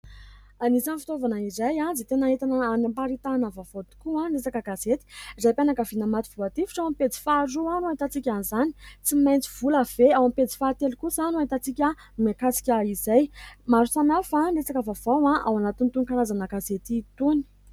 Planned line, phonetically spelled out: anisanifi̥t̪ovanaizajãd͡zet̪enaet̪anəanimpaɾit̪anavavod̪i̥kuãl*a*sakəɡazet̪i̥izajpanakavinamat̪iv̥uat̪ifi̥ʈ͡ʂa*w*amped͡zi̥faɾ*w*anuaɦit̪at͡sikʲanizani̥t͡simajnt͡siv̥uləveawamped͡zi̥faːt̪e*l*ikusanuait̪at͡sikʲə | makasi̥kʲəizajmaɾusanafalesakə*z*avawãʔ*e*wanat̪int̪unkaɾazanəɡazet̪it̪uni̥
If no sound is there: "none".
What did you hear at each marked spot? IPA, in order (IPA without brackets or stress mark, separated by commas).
e, w, u, l, v, a